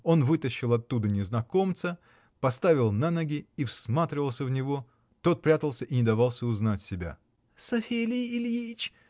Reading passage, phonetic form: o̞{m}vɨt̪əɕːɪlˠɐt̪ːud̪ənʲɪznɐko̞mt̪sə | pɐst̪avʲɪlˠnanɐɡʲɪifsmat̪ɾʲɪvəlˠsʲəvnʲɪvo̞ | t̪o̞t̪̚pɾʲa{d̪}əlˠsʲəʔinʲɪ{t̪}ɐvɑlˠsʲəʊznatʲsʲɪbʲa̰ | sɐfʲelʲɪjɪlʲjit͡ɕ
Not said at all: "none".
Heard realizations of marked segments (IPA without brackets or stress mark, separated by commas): n, t̪, d̪